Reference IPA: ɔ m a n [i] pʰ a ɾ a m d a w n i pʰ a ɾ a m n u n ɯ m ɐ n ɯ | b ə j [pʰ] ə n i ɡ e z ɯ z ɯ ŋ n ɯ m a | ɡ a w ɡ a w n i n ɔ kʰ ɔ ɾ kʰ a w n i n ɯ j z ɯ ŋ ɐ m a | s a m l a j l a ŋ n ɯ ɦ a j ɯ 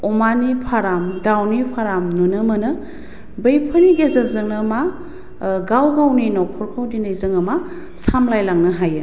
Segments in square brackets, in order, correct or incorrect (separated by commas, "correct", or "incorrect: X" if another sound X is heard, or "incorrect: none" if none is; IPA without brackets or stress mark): correct, correct